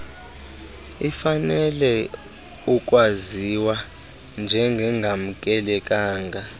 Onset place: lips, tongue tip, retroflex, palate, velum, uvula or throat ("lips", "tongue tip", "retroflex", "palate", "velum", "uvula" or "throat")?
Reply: lips